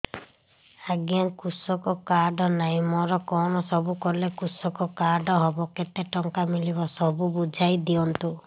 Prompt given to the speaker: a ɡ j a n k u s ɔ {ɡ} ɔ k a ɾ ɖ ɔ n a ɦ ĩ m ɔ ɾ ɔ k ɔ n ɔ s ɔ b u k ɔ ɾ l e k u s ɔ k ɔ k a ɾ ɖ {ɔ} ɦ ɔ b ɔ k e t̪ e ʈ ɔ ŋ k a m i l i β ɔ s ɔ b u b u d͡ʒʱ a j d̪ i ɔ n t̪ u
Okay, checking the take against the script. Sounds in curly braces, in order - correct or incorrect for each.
incorrect: k, correct

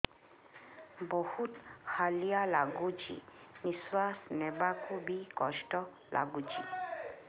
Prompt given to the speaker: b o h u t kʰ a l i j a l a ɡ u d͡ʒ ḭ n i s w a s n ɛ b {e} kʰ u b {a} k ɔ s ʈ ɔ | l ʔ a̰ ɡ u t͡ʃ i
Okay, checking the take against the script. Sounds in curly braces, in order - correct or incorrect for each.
incorrect: a, incorrect: i

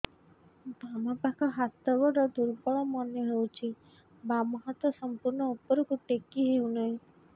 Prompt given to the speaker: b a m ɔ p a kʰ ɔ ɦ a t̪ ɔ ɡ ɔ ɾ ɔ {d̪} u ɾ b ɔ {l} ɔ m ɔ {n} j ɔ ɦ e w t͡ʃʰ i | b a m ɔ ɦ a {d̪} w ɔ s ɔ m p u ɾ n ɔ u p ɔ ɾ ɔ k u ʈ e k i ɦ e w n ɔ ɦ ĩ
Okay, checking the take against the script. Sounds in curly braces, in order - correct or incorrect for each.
correct, incorrect: ɭ, correct, incorrect: t̪

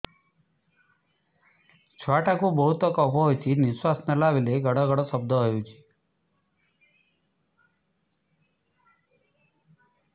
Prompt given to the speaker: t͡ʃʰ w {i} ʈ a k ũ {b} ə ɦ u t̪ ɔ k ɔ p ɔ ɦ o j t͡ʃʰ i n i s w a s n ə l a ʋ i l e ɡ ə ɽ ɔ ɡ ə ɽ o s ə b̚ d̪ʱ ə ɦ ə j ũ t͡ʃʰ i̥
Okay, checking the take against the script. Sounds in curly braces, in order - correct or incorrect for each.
incorrect: a, correct

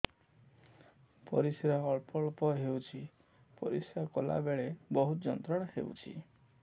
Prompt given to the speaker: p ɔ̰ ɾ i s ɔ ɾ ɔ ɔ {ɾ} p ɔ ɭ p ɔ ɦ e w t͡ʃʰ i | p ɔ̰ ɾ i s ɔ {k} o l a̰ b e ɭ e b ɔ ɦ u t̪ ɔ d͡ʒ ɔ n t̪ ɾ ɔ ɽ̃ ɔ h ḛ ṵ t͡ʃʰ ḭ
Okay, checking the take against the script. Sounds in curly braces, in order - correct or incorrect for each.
incorrect: ɭ, correct

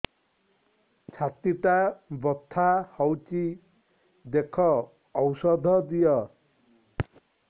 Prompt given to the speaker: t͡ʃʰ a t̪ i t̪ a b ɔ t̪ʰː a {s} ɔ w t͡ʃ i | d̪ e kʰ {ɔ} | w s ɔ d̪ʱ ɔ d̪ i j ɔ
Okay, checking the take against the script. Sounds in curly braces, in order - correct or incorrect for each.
incorrect: h, incorrect: ɔː

